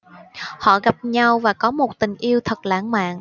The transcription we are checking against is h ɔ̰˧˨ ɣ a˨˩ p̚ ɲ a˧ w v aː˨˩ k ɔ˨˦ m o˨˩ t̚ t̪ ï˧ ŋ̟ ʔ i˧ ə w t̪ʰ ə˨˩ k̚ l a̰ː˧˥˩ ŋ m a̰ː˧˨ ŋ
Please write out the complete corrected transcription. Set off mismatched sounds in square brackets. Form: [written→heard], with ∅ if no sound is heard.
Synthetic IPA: h ɔ̰˧˨ ɣ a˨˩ p̚ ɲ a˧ w v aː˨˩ k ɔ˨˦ m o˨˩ t̚ t̪ [ï˧→ï˨˩] ŋ̟ ʔ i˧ ə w t̪ʰ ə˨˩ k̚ l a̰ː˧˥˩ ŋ m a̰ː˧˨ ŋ